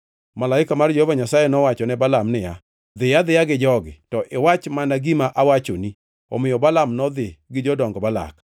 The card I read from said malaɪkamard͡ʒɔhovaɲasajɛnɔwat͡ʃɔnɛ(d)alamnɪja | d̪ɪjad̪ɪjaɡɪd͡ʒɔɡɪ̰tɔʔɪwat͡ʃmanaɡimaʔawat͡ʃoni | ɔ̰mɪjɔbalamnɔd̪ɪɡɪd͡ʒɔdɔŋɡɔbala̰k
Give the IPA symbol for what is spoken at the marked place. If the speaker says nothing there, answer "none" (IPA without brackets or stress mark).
b